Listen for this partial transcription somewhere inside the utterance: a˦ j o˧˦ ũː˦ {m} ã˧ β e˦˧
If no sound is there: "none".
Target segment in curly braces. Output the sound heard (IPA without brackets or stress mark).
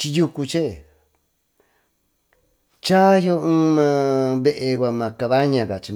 m